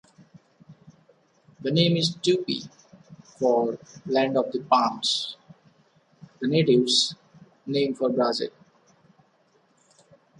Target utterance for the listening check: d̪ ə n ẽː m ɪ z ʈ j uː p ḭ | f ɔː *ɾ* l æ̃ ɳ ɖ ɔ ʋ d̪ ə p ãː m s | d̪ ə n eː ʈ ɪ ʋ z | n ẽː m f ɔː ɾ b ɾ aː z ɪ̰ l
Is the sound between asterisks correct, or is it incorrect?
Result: correct